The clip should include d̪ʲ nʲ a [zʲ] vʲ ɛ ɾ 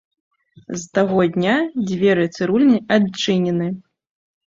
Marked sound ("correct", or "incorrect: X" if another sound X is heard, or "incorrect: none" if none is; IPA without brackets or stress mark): incorrect: d͡zʲ